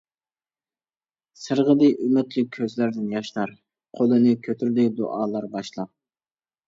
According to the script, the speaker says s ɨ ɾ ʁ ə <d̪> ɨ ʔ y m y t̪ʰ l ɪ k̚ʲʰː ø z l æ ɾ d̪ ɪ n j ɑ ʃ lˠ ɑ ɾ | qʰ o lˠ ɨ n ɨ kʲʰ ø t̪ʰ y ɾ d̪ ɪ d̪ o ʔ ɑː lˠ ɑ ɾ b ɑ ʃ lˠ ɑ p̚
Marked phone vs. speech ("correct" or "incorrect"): correct